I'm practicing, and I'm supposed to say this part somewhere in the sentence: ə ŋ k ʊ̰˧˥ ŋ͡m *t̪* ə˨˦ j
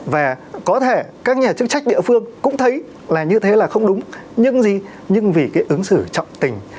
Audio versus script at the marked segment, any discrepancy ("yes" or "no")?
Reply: yes